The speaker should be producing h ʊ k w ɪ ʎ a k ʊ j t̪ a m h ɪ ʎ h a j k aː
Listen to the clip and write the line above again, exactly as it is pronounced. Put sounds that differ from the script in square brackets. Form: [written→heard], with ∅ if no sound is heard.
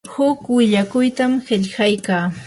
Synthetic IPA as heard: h ʊ k w ɪ ʎ a k ʊ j t̪ a m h ɪ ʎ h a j k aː